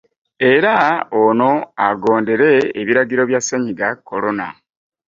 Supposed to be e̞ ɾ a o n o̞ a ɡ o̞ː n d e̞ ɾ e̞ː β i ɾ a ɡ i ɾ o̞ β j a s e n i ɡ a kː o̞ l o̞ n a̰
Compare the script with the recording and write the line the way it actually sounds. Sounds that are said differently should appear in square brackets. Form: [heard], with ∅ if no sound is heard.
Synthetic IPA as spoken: e̞ ɾ a o n o̞ a ɡ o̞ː n d e̞ ɾ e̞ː β i ɾ a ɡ i ɾ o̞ β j a s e [ɲ] i ɡ a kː o̞ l o̞ n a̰

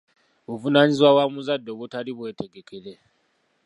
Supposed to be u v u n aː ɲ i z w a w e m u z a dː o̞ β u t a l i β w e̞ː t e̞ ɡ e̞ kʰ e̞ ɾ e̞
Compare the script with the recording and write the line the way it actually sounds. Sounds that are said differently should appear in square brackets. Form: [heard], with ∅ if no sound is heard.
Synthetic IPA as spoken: u v u n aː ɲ i z w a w [a] m u z a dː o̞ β u t a l i β w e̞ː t e̞ ɡ e̞ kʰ e̞ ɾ e̞

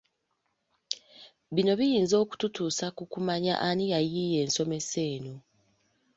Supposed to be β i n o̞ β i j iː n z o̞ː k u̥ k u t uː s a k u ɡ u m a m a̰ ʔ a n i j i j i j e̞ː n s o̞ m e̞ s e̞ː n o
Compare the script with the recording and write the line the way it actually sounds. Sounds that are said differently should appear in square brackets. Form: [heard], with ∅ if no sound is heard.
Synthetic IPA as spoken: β i n o̞ β i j iː n z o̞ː k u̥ [t] u t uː s a k u [k] u m a [ɲ] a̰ ʔ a n i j [a] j i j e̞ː n s o̞ m e̞ s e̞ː n o

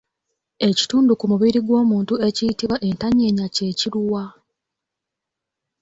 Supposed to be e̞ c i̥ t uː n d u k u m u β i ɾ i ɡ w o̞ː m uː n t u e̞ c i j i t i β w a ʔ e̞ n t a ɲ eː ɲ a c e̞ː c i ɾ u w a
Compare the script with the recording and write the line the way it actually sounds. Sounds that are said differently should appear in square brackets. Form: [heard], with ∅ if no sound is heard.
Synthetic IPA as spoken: e̞ c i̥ t uː n d u k u m u β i ɾ i ɡ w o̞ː m uː n t u e̞ c i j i t i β w a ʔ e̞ n t a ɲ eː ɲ a c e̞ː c i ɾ u w a

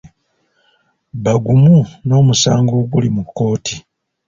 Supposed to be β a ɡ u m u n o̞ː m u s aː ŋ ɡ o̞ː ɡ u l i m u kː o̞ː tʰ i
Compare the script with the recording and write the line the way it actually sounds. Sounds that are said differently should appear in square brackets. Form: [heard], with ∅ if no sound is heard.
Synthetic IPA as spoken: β a ɡ u m u n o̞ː m u s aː ŋ ɡ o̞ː ɡ u l i m u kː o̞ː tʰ i

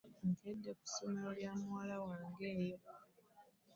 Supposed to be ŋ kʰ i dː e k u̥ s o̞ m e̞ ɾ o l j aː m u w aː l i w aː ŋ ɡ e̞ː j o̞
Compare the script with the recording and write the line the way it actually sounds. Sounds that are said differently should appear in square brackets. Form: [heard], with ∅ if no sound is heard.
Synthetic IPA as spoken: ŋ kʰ [e] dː e k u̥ s o̞ m e̞ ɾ o l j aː m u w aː l [a] w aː ŋ ɡ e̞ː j o̞

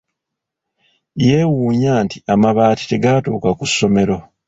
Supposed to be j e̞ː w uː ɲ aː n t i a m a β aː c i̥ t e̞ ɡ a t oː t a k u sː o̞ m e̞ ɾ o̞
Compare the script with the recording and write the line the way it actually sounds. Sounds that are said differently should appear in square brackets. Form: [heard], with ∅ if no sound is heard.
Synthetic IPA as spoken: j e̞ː w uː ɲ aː n t i a m a β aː [t] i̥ t e̞ ɡ a t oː [k] a k u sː o̞ m e̞ ɾ o̞

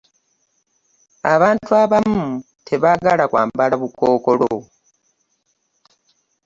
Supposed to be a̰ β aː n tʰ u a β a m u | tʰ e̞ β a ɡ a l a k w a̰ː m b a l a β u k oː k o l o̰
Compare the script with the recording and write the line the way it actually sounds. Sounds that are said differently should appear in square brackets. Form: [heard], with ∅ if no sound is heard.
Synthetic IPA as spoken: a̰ β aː n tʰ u a β a m u | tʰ e̞ β a ɡ a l a k w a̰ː m b a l a β u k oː k o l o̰

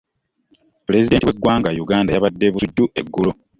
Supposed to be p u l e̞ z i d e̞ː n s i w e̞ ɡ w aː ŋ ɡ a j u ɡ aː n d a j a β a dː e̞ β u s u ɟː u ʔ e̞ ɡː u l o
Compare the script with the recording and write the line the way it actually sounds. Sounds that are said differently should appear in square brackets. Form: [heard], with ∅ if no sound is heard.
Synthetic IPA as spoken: p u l e̞ z i d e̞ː n [t] i w e̞ ɡ w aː ŋ ɡ a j u ɡ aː n d a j a β a dː e̞ β u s u [dː] u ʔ e̞ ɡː u l o

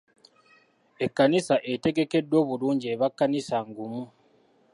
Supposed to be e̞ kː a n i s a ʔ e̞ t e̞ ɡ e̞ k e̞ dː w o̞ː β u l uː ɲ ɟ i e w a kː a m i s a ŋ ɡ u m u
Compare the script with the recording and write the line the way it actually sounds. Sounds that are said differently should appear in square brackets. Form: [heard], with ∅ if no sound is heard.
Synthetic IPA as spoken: e̞ kː a n i s a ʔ e̞ t e̞ ɡ e̞ k e̞ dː w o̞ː β u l uː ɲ ɟ i e [β] a kː a [n] i s a ŋ ɡ u m u

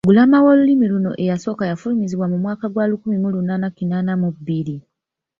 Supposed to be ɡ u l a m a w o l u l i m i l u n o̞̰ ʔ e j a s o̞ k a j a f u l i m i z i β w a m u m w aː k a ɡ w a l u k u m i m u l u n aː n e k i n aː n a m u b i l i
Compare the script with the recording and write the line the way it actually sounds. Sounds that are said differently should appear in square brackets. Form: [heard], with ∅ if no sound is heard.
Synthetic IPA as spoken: ɡ u l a m a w o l u l i m i l u n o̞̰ ʔ e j a s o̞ k a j a f u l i m i z i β w a m u m w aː k a ɡ w a l u k u m i m u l u n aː n [a] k i n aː n a m u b i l i

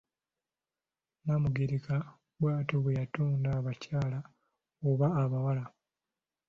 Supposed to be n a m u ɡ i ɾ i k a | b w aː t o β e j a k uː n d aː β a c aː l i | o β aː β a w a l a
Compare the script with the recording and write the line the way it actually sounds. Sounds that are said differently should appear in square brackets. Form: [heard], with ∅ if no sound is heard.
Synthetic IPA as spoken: n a m u ɡ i ɾ i k a | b w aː t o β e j a [t] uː n d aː β a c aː l [a] | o β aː β a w a l a

